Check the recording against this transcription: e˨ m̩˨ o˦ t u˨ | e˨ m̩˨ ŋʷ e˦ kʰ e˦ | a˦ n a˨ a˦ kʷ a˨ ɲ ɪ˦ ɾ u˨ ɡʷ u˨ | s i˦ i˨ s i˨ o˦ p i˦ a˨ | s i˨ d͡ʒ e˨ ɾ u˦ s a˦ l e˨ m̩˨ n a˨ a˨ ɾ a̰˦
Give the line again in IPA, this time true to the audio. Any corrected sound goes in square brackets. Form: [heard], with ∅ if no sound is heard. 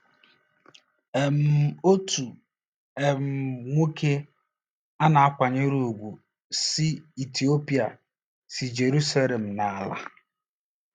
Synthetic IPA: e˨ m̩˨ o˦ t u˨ | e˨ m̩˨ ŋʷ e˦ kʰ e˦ | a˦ n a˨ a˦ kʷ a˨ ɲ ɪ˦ ɾ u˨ ɡʷ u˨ | s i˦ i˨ [t] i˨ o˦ p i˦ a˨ | s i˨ d͡ʒ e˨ ɾ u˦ s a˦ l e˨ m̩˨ n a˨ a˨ [l] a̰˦

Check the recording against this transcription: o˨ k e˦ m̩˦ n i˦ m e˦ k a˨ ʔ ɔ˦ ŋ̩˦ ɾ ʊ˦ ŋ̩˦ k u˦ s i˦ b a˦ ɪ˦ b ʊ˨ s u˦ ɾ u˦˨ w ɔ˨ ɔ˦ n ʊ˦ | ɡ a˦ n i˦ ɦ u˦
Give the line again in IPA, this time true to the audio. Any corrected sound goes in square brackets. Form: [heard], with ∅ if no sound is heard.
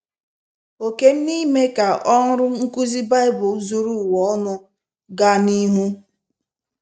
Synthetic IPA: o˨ k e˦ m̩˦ n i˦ m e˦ k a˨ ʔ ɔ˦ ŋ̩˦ ɾ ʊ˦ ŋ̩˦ k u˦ [z] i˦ b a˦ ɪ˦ b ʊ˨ [z] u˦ ɾ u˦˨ w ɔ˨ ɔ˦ n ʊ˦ | ɡ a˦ n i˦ ɦ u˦

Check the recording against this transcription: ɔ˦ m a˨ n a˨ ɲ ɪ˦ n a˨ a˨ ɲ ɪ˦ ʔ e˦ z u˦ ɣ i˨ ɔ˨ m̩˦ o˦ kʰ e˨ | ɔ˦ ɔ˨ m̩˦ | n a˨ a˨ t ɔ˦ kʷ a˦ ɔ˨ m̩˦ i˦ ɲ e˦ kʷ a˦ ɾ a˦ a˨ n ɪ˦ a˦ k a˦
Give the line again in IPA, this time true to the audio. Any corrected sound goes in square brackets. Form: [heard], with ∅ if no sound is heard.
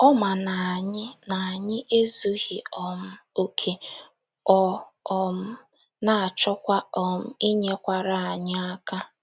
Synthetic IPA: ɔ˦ m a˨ n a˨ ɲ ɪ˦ n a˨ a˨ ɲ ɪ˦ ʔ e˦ z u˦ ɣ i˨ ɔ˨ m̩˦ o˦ kʰ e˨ | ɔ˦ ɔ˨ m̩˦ | n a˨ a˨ [t͡ʃ] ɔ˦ kʷ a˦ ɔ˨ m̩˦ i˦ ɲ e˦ kʷ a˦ ɾ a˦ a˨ [ɲ] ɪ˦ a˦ k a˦

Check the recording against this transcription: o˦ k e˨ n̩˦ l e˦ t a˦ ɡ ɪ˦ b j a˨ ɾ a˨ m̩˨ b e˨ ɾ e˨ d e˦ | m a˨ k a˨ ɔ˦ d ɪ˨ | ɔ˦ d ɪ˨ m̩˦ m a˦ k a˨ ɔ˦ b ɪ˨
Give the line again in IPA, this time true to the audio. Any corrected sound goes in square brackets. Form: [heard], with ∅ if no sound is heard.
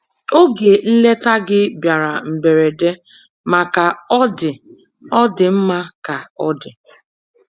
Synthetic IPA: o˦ [ɡ] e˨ n̩˦ l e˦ t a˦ ɡ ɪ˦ b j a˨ ɾ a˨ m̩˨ b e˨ ɾ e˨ d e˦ | m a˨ k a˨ ɔ˦ d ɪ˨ | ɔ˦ d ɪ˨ m̩˦ m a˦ k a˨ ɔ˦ [d] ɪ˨

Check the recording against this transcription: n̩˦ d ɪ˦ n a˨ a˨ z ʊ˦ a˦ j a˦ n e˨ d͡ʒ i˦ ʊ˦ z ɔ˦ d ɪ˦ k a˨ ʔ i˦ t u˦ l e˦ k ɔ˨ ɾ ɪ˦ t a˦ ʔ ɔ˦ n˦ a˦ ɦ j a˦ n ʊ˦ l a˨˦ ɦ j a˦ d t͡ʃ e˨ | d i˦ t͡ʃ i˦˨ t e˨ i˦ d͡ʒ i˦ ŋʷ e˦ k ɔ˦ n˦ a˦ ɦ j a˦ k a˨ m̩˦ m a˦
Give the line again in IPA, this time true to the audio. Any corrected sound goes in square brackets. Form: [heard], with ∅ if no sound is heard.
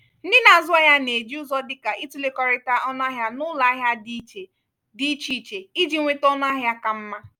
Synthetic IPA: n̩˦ d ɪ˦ n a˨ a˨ z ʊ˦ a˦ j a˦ n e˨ d͡ʒ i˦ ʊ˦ z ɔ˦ d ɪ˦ k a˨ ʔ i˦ t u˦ l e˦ k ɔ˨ ɾ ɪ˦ t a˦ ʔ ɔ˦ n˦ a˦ ɦ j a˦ n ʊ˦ l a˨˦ ɦ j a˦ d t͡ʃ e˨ | d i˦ t͡ʃ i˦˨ [t͡ʃ] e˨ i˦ d͡ʒ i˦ ŋʷ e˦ [t] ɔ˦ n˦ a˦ ɦ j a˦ k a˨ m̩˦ m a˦

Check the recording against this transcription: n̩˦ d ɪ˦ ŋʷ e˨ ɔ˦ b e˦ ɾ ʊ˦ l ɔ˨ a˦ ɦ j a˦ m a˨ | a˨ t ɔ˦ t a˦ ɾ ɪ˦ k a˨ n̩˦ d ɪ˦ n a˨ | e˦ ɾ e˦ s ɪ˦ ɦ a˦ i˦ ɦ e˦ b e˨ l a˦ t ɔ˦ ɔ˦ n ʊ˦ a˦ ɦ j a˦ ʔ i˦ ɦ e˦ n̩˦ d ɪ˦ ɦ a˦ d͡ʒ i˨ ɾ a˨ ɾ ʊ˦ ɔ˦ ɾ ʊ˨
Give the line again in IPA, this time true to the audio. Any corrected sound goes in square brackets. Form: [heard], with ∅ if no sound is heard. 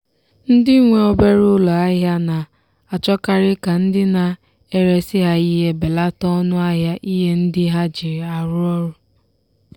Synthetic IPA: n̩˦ d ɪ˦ ŋʷ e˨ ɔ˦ b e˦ ɾ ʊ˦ l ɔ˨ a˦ ɦ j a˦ [n] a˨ | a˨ [t͡ʃ] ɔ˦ [k] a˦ ɾ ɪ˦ k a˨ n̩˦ d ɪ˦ n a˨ | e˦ ɾ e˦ s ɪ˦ ɦ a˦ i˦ ɦ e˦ b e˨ l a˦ t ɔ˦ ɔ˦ n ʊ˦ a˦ ɦ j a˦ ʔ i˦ ɦ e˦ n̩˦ d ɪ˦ ɦ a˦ d͡ʒ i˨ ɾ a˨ ɾ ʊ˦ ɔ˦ ɾ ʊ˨

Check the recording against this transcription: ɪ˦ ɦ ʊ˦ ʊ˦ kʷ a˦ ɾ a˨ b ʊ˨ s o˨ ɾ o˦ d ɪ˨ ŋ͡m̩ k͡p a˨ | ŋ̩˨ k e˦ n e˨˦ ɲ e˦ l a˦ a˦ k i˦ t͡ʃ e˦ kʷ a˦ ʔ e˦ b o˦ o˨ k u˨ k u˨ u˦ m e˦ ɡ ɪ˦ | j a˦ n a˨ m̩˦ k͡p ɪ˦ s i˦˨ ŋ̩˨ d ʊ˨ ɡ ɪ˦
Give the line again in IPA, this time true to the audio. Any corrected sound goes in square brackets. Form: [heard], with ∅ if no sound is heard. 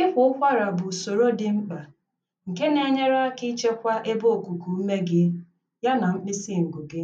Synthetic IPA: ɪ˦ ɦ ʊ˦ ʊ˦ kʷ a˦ ɾ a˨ b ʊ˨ s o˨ ɾ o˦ d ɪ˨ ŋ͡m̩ k͡p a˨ | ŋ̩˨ k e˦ n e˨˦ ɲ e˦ [ɾ] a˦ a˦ k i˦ t͡ʃ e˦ kʷ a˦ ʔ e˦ b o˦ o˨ k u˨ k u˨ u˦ m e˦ ɡ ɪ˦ | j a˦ n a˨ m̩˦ k͡p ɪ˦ s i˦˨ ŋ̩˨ [ɡ] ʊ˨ ɡ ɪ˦

